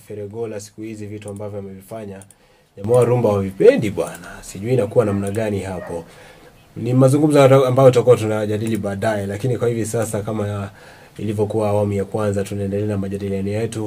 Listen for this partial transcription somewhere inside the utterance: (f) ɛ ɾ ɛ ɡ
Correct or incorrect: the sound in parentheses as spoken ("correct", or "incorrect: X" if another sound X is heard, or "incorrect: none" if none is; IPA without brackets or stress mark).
correct